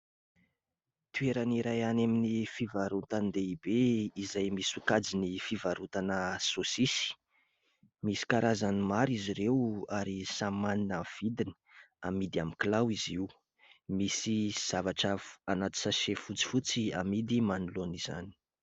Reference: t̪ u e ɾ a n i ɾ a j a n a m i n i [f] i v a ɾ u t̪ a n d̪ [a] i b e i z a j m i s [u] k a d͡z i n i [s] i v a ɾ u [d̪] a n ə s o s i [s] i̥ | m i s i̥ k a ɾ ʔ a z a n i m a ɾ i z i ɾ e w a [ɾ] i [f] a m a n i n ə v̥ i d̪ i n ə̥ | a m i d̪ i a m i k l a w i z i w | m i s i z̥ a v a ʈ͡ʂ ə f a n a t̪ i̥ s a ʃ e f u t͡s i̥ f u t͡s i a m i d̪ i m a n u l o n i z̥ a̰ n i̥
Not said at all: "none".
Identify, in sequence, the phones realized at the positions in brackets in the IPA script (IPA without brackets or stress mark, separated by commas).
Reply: f, e, u, f, t̪, s, ɾ, s